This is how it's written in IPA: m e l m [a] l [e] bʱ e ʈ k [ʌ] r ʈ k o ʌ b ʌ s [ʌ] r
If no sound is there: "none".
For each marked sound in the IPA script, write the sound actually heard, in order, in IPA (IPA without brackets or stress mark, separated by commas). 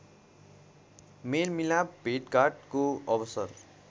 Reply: i, a, a, ʌ